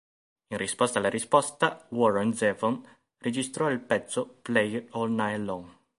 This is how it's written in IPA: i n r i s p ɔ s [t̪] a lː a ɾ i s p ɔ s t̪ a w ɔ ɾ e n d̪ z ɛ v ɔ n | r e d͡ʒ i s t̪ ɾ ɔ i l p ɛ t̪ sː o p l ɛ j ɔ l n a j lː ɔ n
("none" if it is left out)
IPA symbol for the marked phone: t̪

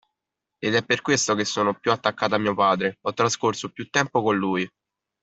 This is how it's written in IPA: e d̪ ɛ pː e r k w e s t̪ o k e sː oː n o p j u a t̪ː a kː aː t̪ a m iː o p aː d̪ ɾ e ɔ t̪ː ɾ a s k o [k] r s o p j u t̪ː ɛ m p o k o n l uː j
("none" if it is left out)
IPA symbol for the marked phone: none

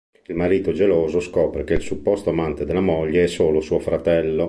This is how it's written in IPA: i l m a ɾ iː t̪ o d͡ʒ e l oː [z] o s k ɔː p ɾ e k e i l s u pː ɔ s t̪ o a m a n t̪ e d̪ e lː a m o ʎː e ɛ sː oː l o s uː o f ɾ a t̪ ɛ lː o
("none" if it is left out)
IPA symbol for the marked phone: z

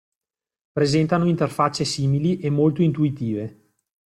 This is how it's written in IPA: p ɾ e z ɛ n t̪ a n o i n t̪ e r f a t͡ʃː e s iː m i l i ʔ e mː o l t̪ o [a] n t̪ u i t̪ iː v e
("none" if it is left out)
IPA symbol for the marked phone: i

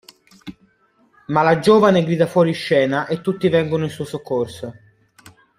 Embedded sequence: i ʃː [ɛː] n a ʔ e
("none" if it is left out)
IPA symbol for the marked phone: ɛː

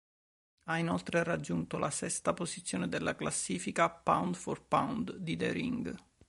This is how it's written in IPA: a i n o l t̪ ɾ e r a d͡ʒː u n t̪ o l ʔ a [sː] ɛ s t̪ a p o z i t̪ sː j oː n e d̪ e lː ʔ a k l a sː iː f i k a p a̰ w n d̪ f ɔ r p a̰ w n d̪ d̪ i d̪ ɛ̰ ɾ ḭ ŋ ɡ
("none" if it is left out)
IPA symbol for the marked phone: s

